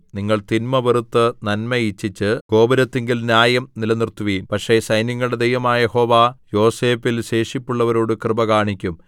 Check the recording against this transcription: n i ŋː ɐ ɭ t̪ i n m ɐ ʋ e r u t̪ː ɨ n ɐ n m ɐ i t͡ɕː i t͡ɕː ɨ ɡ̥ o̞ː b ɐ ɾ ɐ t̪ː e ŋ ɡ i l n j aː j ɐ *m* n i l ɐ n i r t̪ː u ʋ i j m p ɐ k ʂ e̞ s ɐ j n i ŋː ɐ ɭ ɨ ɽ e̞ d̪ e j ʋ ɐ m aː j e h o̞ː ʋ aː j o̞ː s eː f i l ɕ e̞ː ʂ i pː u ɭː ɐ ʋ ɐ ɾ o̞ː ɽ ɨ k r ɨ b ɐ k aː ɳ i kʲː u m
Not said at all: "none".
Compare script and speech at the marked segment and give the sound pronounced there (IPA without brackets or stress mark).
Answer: m